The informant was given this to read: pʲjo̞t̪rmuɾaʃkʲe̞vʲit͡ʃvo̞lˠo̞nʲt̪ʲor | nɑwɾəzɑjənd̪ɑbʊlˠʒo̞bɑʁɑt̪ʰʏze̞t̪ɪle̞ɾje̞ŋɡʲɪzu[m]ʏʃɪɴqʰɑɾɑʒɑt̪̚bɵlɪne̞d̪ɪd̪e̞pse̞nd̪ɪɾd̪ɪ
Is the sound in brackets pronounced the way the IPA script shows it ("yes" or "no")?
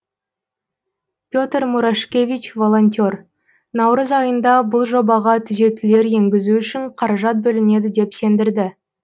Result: no